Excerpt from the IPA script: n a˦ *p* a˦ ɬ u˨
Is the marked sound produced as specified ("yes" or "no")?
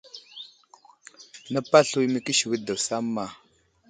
yes